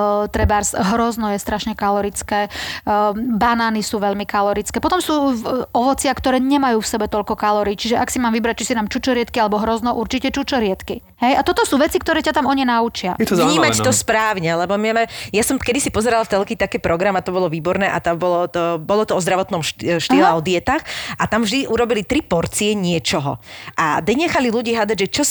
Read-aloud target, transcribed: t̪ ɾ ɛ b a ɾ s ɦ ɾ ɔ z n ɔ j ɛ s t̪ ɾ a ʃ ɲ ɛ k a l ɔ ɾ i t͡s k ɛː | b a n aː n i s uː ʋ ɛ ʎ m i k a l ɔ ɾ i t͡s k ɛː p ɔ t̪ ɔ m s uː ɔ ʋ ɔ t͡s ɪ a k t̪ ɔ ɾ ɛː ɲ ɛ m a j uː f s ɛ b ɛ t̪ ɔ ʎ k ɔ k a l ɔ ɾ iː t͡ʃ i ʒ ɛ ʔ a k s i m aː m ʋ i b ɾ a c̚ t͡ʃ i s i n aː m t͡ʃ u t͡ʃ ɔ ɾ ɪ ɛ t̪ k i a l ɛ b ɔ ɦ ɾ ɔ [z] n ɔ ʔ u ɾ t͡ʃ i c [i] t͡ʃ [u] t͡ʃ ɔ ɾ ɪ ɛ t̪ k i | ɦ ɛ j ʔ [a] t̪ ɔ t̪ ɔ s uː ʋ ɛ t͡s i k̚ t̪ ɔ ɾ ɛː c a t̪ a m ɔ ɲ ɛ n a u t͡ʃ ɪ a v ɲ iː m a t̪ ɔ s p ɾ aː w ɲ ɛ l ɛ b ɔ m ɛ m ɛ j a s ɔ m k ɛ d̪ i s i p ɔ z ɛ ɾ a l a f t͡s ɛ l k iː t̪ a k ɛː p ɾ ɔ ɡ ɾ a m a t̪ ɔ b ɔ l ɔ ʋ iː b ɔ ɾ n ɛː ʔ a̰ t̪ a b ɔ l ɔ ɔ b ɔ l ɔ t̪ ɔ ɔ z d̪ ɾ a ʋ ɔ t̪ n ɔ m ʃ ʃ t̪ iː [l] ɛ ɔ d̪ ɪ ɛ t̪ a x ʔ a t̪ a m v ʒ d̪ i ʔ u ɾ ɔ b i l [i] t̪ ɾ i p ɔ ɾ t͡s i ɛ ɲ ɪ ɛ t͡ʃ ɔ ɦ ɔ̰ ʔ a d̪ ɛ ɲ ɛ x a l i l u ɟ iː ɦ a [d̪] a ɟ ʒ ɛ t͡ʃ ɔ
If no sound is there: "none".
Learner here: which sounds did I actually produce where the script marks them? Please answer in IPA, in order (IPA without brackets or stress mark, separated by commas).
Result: z, ɛ, u, a, l, i, d̪